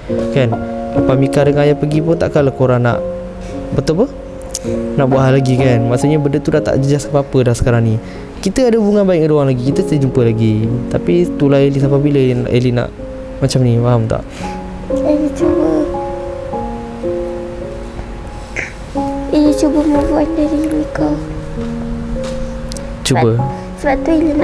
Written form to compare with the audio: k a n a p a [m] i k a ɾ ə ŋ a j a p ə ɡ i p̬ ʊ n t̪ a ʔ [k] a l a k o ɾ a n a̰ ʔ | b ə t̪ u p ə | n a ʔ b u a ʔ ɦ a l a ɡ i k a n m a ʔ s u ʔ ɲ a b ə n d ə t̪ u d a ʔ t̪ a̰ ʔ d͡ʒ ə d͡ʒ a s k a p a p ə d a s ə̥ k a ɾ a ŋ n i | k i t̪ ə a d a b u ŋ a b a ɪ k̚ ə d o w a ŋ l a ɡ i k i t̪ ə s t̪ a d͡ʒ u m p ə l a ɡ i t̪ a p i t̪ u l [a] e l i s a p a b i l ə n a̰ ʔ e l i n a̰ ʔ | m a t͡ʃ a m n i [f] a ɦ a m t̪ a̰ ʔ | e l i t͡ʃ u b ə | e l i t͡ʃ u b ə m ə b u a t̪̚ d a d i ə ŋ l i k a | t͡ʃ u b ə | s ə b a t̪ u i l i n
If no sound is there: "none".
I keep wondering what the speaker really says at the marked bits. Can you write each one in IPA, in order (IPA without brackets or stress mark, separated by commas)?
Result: m, k, a, f